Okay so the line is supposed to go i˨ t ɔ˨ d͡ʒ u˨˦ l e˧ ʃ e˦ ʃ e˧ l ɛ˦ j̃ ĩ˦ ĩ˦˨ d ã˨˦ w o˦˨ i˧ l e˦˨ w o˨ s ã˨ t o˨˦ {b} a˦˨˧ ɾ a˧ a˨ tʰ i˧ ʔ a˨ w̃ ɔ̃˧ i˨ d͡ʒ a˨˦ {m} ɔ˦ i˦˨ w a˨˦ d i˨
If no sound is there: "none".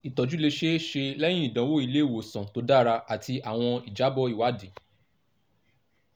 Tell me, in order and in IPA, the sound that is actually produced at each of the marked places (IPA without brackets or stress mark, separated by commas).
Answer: d, b